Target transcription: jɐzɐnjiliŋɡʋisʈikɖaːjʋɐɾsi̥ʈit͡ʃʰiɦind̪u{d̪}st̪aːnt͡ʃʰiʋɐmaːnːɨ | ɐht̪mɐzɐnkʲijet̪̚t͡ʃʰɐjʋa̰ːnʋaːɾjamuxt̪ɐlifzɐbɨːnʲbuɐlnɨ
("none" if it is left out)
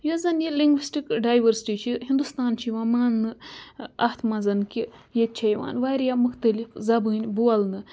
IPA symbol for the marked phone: none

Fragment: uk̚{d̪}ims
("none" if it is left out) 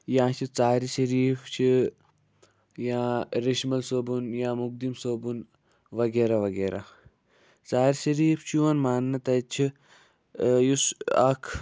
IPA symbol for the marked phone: d̪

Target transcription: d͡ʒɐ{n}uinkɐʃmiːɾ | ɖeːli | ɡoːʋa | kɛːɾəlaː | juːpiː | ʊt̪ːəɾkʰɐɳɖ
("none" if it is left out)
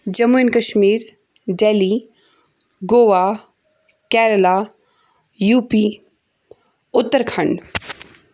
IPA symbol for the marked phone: m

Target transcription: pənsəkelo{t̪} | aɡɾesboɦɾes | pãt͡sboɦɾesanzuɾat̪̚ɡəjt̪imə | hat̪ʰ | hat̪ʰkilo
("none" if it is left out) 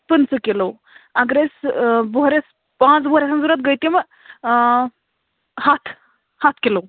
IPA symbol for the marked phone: none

